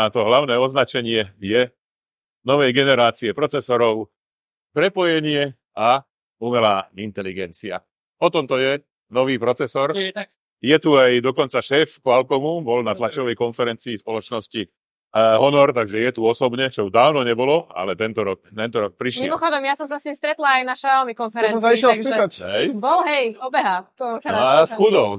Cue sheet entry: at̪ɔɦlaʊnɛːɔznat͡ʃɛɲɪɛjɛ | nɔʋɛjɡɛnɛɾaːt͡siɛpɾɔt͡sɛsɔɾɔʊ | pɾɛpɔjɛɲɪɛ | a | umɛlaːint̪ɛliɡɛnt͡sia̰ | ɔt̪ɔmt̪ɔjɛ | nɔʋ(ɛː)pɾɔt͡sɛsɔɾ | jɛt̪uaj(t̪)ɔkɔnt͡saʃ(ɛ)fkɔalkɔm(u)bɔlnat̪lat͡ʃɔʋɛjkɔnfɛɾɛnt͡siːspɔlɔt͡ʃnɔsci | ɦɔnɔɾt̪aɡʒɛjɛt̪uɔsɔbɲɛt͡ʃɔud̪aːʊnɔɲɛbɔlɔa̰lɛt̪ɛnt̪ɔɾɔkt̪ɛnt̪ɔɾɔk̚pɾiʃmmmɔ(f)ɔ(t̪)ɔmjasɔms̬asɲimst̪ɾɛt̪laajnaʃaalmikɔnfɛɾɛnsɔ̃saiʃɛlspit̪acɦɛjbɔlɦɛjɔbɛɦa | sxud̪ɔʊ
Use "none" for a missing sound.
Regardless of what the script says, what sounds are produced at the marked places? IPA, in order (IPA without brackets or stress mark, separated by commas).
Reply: iː, d̪, ɛː, u, x, d̪